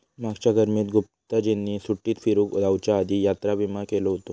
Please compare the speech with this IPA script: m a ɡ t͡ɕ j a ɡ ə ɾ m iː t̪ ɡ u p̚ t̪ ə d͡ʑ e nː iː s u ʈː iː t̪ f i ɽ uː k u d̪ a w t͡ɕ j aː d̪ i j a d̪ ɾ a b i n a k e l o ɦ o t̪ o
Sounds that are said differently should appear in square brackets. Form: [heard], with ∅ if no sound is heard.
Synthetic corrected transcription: m a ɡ t͡ɕ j a ɡ ə ɾ m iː t̪ ɡ u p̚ t̪ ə d͡ʑ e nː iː s u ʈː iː t̪ f i [ɾ] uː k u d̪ a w t͡ɕ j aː d̪ i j a [t̪] ɾ a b i [m] a k e l o ɦ o t̪ o